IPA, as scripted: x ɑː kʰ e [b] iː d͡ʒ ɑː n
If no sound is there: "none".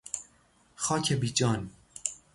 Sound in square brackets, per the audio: b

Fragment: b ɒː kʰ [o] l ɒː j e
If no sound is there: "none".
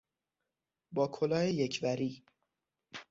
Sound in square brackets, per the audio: o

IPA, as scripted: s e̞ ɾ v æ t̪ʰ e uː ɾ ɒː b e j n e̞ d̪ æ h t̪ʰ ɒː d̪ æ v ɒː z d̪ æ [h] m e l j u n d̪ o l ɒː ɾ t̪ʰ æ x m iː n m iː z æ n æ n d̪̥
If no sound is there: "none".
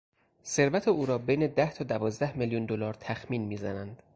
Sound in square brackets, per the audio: h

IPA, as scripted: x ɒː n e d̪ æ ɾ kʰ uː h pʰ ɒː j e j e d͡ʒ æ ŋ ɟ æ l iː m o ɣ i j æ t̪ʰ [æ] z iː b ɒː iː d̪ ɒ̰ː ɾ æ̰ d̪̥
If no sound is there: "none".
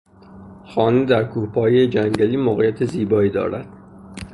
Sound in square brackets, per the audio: e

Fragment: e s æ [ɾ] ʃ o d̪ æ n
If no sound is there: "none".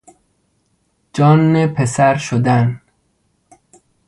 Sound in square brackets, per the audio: ɾ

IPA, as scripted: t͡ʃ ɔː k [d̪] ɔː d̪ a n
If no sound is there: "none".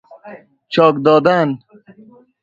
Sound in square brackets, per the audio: d̪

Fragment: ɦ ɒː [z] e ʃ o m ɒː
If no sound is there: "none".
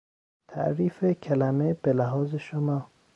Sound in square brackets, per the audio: z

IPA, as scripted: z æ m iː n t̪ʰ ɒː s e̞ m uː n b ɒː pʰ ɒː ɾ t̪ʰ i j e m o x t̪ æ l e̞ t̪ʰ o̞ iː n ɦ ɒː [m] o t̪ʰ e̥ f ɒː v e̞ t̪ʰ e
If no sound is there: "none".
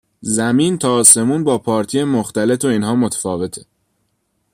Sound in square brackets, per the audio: m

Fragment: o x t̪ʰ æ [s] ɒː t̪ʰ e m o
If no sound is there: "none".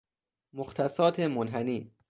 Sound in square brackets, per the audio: s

